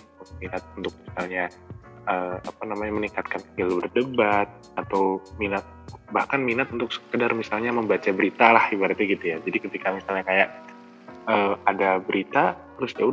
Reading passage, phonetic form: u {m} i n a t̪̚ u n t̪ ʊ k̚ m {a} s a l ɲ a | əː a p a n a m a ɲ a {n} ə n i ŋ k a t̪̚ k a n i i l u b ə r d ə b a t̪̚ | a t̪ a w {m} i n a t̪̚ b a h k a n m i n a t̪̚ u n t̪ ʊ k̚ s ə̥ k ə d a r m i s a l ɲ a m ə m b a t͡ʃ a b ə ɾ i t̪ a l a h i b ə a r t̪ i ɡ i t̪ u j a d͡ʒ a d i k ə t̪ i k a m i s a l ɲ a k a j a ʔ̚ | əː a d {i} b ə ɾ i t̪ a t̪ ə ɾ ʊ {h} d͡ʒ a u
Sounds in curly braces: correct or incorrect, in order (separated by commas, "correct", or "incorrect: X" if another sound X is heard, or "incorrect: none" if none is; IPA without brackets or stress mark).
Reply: correct, incorrect: i, incorrect: m, correct, incorrect: a, incorrect: s